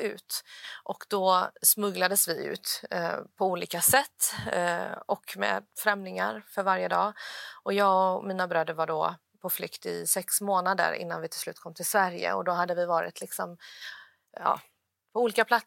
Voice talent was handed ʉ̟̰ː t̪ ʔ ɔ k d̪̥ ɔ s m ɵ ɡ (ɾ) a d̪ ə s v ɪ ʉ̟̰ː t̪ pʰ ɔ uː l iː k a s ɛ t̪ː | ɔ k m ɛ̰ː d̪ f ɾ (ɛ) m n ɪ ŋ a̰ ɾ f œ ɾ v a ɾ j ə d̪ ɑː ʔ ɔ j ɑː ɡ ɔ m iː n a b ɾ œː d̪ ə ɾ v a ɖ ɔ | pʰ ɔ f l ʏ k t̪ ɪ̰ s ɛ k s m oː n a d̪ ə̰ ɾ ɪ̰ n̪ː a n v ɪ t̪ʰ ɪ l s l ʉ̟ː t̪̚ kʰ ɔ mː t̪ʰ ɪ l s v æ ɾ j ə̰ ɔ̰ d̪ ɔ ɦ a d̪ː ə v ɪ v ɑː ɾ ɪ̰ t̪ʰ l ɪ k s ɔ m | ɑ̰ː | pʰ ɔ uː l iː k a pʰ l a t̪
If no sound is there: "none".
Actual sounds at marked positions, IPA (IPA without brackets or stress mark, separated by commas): l, ɛ